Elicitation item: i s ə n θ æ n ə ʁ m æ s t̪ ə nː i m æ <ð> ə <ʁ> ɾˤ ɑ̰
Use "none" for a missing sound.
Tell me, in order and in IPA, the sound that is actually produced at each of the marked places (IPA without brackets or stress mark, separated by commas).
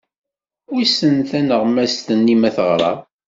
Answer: θ, ʁ